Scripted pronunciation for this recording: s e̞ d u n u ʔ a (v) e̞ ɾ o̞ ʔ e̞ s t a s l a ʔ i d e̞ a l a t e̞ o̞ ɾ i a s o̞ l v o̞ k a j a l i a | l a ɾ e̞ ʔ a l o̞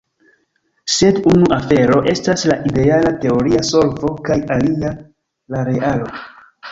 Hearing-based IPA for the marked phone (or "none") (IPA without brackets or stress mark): f